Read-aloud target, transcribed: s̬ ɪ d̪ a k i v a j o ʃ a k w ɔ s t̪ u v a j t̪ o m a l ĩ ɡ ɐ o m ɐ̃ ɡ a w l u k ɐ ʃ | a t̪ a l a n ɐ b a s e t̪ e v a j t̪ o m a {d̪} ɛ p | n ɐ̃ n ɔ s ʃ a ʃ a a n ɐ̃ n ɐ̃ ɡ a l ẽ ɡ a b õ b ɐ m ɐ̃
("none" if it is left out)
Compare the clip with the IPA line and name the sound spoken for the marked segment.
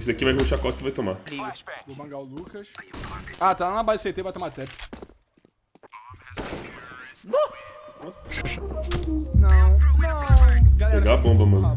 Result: t̪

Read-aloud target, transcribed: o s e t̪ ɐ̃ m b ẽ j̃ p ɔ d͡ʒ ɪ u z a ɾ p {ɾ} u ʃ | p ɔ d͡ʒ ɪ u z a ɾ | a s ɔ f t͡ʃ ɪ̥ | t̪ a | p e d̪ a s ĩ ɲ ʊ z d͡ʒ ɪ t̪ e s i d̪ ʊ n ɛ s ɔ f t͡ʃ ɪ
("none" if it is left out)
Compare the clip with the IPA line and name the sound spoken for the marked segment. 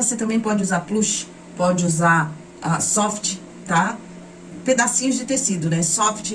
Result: l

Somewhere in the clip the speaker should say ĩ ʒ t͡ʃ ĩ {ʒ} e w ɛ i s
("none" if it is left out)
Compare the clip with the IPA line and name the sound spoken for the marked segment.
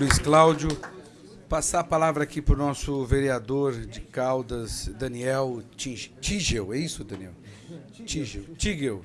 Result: ʒ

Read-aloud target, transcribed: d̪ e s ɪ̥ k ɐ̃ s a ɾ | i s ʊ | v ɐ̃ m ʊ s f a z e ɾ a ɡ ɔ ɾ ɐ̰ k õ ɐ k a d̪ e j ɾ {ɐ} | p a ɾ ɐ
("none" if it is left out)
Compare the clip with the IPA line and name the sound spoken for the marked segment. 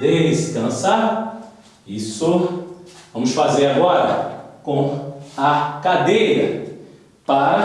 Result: ɐ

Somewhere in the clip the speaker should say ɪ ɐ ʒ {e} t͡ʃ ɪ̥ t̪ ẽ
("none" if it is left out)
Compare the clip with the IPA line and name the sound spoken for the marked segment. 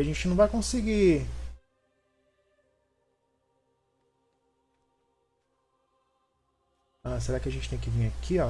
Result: ẽ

